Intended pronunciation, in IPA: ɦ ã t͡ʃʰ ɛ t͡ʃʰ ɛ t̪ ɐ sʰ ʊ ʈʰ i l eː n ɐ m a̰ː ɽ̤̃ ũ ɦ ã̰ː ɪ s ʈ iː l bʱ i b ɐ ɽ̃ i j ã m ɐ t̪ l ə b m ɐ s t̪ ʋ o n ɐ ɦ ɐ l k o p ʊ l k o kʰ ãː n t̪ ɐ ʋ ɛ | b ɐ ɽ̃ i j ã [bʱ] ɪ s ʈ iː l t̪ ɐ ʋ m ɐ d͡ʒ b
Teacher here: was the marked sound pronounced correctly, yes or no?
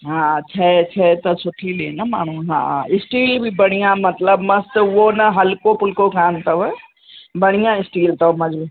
no